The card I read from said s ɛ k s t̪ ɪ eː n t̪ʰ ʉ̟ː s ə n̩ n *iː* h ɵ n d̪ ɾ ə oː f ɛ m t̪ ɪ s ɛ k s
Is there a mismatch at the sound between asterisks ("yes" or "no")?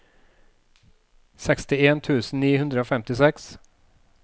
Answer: no